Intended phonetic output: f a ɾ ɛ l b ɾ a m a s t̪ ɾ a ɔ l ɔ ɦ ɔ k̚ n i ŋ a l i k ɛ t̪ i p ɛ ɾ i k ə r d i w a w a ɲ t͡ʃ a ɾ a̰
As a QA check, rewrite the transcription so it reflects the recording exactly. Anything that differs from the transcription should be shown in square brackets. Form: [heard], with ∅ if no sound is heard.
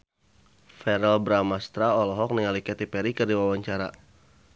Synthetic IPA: f [ɛ] ɾ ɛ l b ɾ a m a s t̪ ɾ a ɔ l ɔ ɦ ɔ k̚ n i ŋ a l i k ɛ t̪ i p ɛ ɾ i k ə r d i w a w a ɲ t͡ʃ a ɾ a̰